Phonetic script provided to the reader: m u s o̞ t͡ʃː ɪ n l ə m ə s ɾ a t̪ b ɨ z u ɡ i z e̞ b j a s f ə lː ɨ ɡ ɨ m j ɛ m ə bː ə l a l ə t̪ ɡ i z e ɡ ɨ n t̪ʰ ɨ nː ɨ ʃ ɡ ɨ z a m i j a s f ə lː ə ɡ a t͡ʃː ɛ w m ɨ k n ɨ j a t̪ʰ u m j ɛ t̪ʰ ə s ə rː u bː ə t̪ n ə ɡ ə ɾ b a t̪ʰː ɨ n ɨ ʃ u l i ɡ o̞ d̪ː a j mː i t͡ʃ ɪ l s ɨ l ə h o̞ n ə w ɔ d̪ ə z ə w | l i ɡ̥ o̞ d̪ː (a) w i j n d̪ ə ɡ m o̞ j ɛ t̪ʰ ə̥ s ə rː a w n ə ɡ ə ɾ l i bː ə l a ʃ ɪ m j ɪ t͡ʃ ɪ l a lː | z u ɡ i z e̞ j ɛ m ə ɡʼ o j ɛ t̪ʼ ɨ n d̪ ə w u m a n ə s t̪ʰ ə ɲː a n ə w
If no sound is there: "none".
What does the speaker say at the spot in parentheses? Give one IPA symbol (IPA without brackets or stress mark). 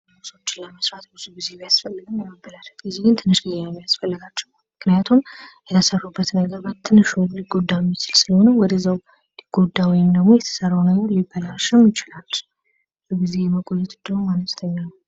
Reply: a